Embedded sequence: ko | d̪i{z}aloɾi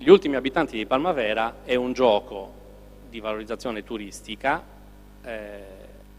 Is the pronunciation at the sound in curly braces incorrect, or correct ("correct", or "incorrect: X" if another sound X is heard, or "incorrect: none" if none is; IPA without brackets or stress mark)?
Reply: incorrect: v